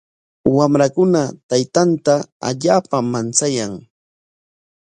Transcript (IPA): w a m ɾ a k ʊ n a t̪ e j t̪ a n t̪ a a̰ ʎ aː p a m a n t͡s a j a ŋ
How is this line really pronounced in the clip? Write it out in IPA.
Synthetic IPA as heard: w a m ɾ a k ʊ n a t̪ a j t̪ a n t̪ a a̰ ʎ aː p a m a n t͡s a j a ŋ